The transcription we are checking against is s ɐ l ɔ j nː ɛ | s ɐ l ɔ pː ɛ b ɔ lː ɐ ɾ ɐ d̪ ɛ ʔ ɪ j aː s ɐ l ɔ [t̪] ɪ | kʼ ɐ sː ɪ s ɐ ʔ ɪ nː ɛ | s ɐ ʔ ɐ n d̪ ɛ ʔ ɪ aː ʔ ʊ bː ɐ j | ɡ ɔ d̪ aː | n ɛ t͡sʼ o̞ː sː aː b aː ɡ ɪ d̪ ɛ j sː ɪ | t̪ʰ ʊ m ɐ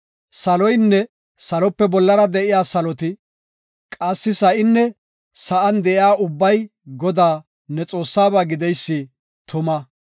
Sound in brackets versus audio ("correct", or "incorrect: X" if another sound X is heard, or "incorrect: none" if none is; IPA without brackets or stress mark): correct